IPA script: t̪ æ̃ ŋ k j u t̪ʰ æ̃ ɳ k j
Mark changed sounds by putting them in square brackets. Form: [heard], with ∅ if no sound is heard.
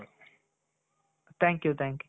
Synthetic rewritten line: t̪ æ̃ ŋ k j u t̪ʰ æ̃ [ŋ] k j